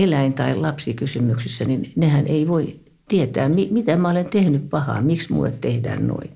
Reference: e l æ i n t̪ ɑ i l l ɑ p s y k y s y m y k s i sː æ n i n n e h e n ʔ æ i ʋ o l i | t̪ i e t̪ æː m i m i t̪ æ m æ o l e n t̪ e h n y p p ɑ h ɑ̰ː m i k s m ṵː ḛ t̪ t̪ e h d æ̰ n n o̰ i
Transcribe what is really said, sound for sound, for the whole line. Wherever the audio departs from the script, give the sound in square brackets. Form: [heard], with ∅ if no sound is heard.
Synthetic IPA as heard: e l æ i n t̪ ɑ i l l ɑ p s [i] k y s y m y k s i sː æ n i n n e h [æ] n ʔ [e] i ʋ o [∅] i | t̪ i e t̪ æː m i m i t̪ æ m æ o l e n t̪ e h n y p p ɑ h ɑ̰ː m i k s m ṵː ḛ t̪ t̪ e h d [æ̰ː] n n o̰ i